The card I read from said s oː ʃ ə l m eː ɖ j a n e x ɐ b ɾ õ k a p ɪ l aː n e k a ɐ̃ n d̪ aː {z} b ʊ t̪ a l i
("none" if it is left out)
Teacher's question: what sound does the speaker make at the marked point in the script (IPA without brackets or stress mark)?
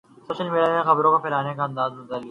z